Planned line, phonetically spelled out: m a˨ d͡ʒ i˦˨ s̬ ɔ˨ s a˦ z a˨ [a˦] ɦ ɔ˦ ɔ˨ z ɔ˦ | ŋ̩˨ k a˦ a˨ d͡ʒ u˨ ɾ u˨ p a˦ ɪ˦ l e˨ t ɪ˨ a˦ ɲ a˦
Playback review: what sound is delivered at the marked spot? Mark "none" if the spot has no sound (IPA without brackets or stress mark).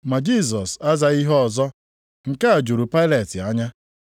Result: i˦